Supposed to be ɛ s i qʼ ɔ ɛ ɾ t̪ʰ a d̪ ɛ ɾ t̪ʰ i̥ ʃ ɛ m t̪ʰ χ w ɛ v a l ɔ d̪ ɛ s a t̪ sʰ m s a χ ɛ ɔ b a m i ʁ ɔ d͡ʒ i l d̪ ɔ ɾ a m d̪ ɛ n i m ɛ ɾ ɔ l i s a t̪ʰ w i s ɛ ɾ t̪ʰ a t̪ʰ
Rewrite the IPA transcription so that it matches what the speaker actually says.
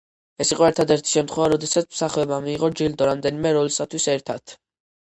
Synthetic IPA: ɛ s i qʼ ɔ ɛ ɾ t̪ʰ a d̪ ɛ ɾ t̪ʰ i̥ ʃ ɛ m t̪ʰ χ w ɛ v a ɾ ɔ d̪ ɛ s a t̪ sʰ m s a χ ɛ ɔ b a m iː ʁ ɔ d͡ʒ i l d̪ ɔ ɾ a m d̪ ɛ n i m ɛ ɾ ɔ l i s a t̪ʰ w i s ɛ ɾ t̪ʰ a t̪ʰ

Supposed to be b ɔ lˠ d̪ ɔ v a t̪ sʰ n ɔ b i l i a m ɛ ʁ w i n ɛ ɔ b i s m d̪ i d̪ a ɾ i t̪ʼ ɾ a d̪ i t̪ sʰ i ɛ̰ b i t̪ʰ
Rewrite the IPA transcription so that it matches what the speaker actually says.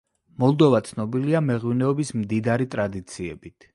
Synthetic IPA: m ɔ lˠ d̪ ɔ v a t̪ sʰ n ɔ b i l i a m ɛ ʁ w i n ɛ ɔ b i s m d̪ i d̪ a ɾ i t̪ʼ ɾ a d̪ i t̪ sʰ i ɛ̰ b i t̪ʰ

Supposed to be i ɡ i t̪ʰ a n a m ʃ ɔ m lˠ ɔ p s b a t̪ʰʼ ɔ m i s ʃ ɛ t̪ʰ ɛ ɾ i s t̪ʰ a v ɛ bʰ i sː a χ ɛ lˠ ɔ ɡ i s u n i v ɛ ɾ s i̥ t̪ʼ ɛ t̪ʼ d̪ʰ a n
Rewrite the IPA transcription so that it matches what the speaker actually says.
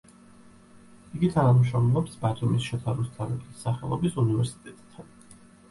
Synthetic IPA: i ɡ i t̪ʰ a n a m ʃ ɔ m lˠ ɔ p s b a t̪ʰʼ u m i s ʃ ɛ t̪ʰ a ɾ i s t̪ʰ a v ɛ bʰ i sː a χ ɛ lˠ ɔ b i s u n i v ɛ ɾ s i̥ t̪ʼ ɛ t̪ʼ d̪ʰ a n

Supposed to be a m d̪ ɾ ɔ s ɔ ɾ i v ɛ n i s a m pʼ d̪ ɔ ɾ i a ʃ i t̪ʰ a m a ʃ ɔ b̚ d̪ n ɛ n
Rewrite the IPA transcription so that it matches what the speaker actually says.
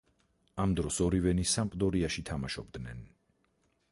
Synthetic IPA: a m d̪ ɾ ɔ s ɔ ɾ i v ɛ n i s a m pʼ d̪ ɔ ɾ i a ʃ i t̪ʰ a m a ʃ ɔ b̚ d̪ n ɛ n

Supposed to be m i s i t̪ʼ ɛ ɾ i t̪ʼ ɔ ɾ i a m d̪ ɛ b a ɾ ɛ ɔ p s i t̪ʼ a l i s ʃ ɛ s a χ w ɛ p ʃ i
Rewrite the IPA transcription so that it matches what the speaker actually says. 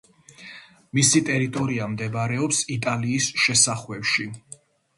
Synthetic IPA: m i s i t̪ʼ ɛ ɾ i t̪ʼ ɔ ɾ i a m d̪ ɛ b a ɾ ɛ ɔ p s i t̪ʼ a l iː s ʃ ɛ s a χ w ɛ p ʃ i

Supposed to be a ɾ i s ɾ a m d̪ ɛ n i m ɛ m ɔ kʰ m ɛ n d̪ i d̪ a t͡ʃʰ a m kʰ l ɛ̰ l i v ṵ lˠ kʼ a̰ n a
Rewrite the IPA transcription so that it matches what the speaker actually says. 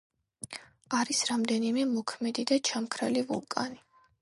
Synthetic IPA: a ɾ i s ɾ a m d̪ ɛ n i m ɛ m ɔ kʰ m ɛ d̪ i d̪ a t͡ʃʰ a m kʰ ɾ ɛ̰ l i v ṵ lˠ kʼ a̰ n i

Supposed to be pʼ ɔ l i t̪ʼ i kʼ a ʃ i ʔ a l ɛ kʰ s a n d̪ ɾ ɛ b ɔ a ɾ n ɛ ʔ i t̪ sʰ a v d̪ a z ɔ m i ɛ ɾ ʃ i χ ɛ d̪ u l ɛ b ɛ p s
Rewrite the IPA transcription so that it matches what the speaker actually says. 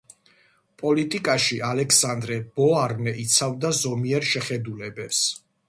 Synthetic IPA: pʼ ɔ l i t̪ʼ i kʼ a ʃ i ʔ a l ɛ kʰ s a n d̪ ɾ ɛ b ɔ a ɾ n ɛ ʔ i t̪ sʰ a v d̪ a z ɔ m i ɛ ɾ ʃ ɛ χ ɛ d̪ u l ɛ b ɛ p s

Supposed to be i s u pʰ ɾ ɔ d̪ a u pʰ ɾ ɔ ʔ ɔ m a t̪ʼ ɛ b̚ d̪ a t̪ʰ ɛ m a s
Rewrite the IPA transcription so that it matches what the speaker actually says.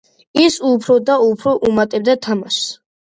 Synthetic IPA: i s u pʰ ɾ ɔ d̪ a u pʰ ɾ ɔ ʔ u m a t̪ʼ ɛ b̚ d̪ a t̪ʰ a m a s

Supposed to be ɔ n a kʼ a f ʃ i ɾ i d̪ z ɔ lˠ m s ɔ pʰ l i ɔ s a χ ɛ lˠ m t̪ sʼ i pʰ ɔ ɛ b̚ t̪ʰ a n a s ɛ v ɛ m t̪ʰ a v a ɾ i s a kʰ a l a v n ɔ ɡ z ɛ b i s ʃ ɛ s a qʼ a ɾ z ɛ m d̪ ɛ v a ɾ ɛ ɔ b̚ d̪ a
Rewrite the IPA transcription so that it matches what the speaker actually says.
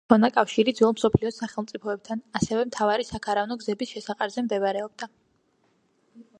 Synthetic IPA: ɔ n a kʼ a f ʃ i ɾ i d̪ z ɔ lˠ m s ɔ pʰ l i ɔ s a χ ɛ lˠ m t̪ sʼ i pʰ ɔ ɛ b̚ t̪ʰ a n a s ɛ v ɛ m t̪ʰ a v a ɾ i s a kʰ a ɾ a v n ɔ ɡ z ɛ b i s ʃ ɛ s a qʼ a ɾ z ɛ m d̪ ɛ v a ɾ ɛ ɔ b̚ d̪ a

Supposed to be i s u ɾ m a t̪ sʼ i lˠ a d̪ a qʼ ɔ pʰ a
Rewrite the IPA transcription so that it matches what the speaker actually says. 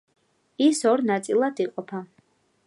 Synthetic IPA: i s ɔ ɾ n a t̪ sʼ i lˠ a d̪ i qʼ ɔ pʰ a

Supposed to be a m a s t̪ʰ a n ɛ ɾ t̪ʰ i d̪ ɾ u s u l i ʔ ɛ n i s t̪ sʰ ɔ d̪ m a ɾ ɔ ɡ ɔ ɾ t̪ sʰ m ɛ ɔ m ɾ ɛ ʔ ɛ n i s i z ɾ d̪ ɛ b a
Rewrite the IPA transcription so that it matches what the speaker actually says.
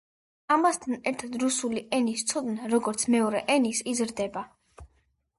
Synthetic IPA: a m a s t̪ʰ a n ɛ ɾ t̪ʰ a d̪ ɾ u s u l i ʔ ɛ n i s t̪ sʰ ɔ d̪ n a ɾ ɔ ɡ ɔ ɾ t̪ sʰ m ɛ ɔ ɾ ɛ ʔ ɛ n i s i z ɾ d̪ ɛ b a

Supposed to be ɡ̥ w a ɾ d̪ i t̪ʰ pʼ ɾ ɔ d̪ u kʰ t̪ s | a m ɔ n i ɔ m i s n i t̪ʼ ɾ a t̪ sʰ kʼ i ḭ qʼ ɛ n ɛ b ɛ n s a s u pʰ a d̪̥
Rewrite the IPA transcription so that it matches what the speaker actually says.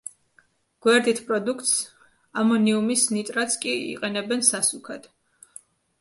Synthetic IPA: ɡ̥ w ɛ ɾ d̪ i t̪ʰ pʼ ɾ ɔ d̪ u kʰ t̪ s | a m ɔ n i u m i s n i t̪ʼ ɾ a t̪ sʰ kʼ i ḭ qʼ ɛ n ɛ b ɛ n s a s u kʰ a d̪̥

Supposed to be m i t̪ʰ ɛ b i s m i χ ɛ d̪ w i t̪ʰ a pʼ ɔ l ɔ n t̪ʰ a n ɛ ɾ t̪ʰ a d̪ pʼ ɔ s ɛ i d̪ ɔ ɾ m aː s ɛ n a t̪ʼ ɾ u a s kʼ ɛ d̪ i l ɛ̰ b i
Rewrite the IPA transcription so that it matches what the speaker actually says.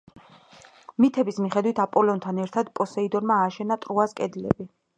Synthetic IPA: m i t̪ʰ ɛ b i s m i χ ɛ d̪ w i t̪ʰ a pʼ ɔ l ɔ n t̪ʰ a n ɛ ɾ t̪ʰ a d̪ pʼ ɔ s ɛ i d̪ ɔ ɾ m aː ʃ ɛ n a t̪ʼ ɾ u a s kʼ ɛ d̪ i l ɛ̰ b i

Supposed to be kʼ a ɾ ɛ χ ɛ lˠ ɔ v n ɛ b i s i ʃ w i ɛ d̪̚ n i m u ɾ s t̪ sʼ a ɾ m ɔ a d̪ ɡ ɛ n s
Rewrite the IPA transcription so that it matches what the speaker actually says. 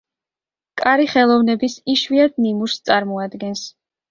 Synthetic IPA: kʼ a ɾ i χ ɛ lˠ ɔ v n ɛ b i s i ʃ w i a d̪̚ n i m u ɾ s t̪ sʼ a ɾ m ɔ a d̪ ɡ ɛ n s

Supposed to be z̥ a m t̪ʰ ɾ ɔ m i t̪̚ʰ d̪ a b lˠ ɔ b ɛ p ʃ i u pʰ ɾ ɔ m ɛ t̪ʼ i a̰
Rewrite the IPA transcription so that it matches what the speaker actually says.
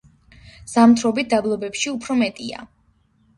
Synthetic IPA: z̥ a m t̪ʰ ɾ ɔ b i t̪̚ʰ d̪ a b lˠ ɔ b ɛ p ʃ i u pʰ ɾ ɔ m ɛ t̪ʼ i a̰

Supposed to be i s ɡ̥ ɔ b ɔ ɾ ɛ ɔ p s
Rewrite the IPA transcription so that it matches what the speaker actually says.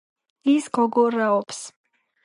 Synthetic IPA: i s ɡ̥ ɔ ɡ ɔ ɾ a ɔ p s

